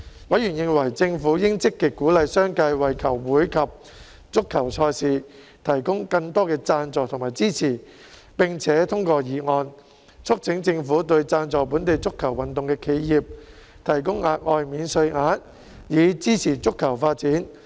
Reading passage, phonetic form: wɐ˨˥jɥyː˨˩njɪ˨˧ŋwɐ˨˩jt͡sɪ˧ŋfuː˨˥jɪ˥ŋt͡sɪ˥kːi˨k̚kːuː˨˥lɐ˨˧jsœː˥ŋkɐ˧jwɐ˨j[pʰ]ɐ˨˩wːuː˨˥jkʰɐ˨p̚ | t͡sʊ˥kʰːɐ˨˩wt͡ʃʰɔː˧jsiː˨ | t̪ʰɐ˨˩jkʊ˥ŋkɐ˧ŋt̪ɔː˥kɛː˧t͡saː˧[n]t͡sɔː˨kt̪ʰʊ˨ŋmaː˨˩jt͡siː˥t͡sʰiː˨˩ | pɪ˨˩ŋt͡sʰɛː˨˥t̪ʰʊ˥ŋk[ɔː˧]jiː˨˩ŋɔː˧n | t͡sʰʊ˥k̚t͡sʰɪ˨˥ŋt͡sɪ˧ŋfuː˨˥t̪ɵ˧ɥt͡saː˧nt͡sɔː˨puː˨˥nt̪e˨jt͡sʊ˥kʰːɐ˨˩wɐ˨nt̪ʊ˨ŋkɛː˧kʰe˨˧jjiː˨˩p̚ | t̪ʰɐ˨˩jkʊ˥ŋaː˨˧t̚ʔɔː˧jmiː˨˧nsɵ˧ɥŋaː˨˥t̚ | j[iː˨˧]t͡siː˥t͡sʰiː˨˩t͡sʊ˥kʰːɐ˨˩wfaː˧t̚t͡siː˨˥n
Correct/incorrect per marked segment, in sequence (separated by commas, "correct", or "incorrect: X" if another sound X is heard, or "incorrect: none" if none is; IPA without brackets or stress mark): incorrect: kʰ, correct, correct, correct